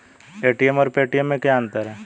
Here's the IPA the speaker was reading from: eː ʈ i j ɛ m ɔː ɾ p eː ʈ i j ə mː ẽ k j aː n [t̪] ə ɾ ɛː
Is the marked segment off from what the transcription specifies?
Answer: no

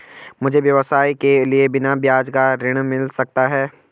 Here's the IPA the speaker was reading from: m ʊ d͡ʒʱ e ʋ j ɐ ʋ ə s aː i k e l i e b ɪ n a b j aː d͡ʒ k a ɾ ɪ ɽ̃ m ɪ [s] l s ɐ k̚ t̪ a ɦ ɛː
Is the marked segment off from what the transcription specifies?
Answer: yes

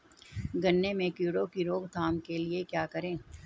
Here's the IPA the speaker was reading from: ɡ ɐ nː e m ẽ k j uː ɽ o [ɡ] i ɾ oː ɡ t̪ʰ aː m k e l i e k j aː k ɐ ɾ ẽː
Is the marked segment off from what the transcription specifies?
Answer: yes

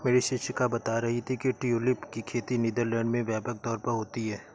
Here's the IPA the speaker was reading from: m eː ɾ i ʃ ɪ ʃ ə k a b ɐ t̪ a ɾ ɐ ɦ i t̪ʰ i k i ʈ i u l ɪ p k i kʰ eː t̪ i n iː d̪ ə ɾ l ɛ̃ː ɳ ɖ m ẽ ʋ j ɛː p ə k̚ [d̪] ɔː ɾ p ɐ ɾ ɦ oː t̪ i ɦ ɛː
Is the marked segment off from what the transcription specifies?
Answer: yes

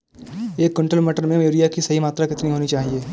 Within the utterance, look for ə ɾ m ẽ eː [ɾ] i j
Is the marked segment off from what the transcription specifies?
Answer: no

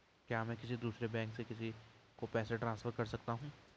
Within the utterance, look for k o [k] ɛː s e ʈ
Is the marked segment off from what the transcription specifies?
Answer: yes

